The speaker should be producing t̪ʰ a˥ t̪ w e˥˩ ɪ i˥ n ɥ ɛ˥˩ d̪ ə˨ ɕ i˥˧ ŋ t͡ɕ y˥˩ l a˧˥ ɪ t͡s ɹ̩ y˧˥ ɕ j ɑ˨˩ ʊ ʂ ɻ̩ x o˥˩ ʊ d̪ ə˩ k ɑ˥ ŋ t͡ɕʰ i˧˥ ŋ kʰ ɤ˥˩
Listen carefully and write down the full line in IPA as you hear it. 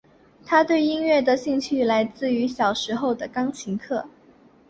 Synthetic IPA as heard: t̪ʰ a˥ t̪ w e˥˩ ɪ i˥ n ɥ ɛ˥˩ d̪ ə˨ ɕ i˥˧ ŋ t͡ɕʰ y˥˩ l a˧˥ ɪ t͡s ɹ̩ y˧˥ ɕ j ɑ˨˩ ʊ ʂ ɻ̩ x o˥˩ ʊ d̪ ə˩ k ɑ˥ ŋ t͡ɕʰ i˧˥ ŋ kʰ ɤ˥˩